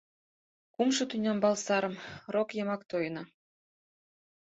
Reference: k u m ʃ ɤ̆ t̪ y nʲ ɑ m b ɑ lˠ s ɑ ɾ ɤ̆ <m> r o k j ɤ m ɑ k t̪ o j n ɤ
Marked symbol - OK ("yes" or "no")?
yes